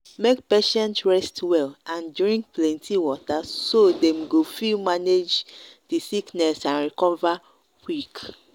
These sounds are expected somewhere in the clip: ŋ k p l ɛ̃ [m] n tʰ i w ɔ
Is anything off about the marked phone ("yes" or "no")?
yes